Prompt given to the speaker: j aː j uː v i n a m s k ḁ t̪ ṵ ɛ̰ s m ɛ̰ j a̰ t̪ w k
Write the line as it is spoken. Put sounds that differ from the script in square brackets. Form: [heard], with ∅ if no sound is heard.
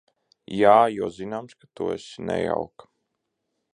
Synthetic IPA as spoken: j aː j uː [z] i n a m s k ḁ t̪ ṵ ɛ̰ s [n] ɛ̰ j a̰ [∅] w k